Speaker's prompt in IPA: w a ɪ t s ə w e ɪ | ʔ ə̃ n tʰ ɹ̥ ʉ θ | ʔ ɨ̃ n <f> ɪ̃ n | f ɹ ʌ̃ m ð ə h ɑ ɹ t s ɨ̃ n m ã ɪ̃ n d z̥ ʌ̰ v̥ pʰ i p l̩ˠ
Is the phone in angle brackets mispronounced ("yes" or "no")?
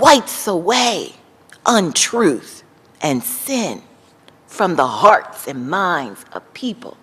yes